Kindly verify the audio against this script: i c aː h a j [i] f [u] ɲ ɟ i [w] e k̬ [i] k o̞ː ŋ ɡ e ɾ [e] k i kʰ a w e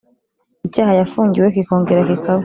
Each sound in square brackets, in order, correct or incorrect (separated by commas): incorrect, incorrect, correct, correct, incorrect